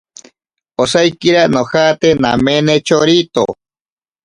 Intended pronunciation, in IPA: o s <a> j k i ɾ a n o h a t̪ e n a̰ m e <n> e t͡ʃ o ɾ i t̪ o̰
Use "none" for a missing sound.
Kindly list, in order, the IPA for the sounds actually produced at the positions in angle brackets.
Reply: a, n

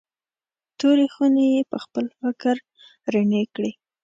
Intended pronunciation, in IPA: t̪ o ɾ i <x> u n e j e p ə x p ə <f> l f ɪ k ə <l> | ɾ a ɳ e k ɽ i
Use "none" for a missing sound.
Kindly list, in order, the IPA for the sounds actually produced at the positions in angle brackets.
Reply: x, none, ɾ

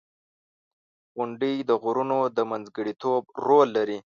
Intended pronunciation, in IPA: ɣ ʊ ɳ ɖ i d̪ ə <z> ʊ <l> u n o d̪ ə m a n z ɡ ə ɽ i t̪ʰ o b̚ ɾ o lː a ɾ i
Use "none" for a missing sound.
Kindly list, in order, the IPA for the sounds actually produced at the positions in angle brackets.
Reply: ɣ, ɾ

